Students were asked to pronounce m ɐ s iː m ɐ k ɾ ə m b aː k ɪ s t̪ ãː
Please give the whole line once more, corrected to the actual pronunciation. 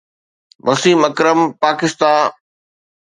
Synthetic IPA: m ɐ s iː m ɐ k ɾ ə m p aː k ɪ s t̪ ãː